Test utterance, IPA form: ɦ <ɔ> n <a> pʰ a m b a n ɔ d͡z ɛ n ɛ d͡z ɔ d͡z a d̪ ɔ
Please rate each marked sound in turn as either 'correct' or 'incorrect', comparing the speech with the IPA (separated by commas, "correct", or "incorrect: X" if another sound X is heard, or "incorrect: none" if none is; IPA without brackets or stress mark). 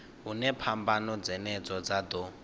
incorrect: u, incorrect: ɛ